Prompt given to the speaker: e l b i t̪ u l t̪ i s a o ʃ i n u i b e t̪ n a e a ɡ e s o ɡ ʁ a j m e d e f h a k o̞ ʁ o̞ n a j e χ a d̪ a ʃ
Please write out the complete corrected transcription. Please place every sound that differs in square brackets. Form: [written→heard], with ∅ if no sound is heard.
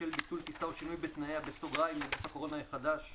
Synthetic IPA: e l b i t̪ u l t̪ i s a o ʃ i n u [i→j] b e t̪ n a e a [ɡ→b] e s o ɡ ʁ a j m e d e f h a k o̞ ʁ o̞ n a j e χ a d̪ a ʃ